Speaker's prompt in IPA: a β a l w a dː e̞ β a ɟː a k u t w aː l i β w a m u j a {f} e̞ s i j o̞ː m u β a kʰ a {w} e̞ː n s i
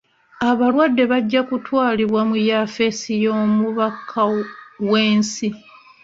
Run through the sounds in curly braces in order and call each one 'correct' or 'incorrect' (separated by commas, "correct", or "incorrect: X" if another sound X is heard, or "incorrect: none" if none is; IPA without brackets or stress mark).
correct, correct